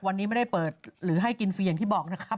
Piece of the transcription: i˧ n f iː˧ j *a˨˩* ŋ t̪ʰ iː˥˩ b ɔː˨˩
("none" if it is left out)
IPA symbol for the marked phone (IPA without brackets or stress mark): a˨˩